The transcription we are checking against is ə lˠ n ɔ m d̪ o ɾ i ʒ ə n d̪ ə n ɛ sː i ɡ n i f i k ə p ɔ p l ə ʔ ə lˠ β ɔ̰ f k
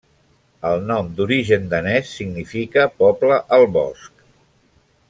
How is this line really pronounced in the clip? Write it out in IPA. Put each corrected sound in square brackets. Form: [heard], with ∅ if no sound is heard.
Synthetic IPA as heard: ə lˠ n ɔ m d̪ [u] ɾ i ʒ ə n d̪ ə n ɛ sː i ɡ n i f i k ə p ɔ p l ə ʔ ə lˠ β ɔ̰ [s] k